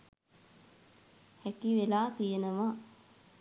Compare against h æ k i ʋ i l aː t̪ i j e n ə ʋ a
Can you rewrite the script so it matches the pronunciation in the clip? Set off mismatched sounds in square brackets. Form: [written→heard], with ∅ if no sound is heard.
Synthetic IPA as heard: h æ k i ʋ [i→e] l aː t̪ i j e n ə ʋ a

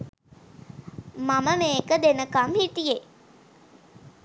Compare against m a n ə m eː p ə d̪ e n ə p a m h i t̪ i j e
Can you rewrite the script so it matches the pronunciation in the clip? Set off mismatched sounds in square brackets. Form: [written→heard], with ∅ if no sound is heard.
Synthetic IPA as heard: m a [n→m] ə m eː [p→k] ə d̪ e n ə [p→k] a m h i t̪ i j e

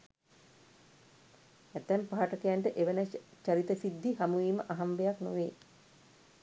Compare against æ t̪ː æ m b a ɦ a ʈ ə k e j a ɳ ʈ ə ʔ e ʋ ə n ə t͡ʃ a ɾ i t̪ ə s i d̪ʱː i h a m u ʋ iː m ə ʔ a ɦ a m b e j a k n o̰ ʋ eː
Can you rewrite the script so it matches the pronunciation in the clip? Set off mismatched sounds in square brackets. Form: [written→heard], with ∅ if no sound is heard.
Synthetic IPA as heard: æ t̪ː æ m [b→p] a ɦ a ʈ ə k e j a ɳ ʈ ə ʔ e ʋ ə n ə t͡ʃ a ɾ i t̪ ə s i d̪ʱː i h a m u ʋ iː m ə ʔ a ɦ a m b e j a k n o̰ ʋ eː

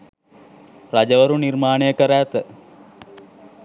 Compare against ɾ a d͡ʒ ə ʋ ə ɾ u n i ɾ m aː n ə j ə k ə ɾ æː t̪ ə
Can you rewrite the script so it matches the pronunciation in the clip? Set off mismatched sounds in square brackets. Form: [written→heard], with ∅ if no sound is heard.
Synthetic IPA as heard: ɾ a d͡ʒ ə ʋ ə ɾ u n i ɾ m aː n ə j ə k ə ɾ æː t̪ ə

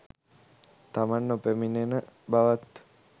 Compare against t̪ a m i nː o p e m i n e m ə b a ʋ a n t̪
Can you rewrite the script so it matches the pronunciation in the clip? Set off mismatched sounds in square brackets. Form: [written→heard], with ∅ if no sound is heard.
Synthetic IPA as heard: t̪ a m [i→a] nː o p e m i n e [m→n] ə b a ʋ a [n→∅] t̪

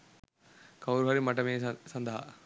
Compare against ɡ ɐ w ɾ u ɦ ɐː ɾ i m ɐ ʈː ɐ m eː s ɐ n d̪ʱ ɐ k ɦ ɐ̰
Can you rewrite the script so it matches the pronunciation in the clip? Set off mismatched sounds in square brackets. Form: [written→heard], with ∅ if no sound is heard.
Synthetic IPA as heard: [ɡ→k] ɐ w ɾ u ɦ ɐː ɾ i m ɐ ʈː ɐ m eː s ɐ n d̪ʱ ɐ [k→∅] ɦ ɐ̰

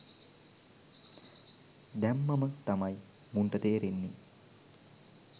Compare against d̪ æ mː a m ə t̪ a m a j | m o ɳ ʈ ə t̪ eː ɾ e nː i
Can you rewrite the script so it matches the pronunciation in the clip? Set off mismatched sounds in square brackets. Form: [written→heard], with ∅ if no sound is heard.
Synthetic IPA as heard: d̪ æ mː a m ə t̪ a m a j | m [o→u] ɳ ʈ ə t̪ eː ɾ e nː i

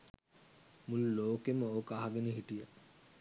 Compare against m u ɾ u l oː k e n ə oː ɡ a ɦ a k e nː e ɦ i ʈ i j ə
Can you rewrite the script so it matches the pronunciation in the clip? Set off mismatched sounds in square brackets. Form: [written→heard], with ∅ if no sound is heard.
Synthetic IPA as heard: m u [ɾ→l] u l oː k e [n→m] ə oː [ɡ→k] a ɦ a [k→ɡ] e [nː→n] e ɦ i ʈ i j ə

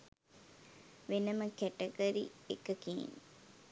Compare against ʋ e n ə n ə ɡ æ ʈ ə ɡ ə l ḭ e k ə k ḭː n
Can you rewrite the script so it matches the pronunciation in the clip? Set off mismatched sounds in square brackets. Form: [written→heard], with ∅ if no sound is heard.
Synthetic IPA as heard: ʋ e n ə [n→m] ə [ɡ→k] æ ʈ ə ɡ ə [l→ɾ] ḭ e k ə k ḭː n

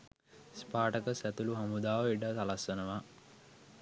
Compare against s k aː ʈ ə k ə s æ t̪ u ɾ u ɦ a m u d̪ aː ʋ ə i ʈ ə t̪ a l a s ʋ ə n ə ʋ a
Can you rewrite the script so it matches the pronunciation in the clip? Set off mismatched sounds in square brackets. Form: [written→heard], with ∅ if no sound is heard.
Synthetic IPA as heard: s [k→p] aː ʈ ə k ə s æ t̪ u [ɾ→l] u ɦ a m u d̪ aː ʋ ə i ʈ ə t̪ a l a s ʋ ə n ə ʋ a

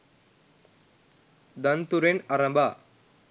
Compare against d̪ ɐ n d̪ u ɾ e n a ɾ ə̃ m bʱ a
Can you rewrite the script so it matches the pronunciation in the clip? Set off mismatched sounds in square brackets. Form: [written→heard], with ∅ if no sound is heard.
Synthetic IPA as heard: d̪ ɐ n [d̪→t̪] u ɾ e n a ɾ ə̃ m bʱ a

